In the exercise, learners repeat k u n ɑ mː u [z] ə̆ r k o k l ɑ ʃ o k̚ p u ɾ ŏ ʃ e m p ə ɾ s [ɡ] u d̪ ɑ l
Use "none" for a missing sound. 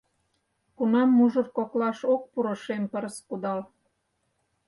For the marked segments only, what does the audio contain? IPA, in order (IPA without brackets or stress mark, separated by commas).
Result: ʒ, k